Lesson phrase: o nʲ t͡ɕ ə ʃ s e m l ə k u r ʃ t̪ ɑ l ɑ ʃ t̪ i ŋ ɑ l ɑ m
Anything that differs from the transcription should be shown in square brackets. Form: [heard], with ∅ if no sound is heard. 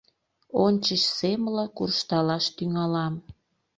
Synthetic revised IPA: o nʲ t͡ɕ ə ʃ s e m l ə k u r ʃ t̪ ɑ l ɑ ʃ t̪ [y] ŋ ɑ l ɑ m